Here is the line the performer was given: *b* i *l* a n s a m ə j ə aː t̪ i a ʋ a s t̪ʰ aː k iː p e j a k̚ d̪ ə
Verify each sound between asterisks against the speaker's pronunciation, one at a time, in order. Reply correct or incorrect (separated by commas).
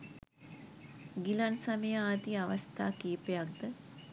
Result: incorrect, correct